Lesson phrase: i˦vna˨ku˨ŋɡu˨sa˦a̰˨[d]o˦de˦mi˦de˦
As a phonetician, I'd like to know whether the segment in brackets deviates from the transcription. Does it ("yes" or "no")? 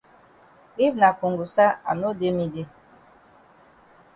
yes